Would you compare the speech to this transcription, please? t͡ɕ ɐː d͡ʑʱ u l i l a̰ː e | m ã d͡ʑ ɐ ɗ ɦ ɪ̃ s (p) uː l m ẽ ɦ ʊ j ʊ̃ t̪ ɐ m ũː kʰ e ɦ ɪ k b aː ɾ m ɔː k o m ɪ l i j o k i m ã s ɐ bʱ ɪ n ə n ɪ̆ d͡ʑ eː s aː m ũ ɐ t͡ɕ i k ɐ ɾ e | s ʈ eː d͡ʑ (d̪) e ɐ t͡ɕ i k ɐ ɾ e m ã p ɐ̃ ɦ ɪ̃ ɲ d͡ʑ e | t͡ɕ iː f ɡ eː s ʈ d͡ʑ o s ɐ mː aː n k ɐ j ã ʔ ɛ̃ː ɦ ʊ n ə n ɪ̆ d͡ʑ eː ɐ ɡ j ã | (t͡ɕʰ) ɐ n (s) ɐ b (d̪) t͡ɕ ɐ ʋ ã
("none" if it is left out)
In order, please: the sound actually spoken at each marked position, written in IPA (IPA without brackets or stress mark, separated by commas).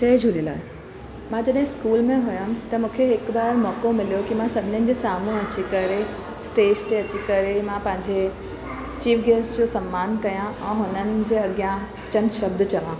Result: k, t̪, t͡ɕ, ʃ, d̪